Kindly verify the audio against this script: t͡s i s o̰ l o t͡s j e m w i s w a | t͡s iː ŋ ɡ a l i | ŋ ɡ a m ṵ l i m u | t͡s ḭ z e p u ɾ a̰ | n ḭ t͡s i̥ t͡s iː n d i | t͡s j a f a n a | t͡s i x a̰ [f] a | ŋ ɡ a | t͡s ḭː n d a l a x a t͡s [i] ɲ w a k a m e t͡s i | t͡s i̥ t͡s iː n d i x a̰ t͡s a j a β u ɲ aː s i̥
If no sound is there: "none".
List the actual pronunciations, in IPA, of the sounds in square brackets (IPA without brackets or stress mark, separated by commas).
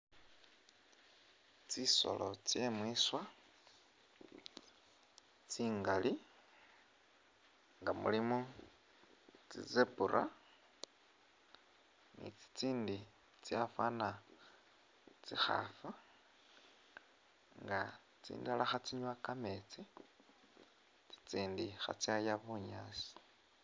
f, i